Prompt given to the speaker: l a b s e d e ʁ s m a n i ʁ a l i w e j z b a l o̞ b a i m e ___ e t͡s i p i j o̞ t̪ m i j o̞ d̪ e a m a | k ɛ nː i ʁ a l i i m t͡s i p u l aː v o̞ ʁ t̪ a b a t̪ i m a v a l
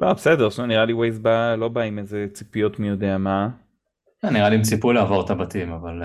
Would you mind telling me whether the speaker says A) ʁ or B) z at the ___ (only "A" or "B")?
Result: B